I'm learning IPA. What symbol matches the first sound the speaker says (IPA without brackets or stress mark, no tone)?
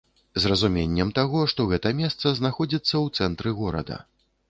z